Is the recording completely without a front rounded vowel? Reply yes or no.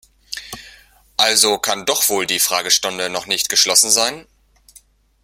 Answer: yes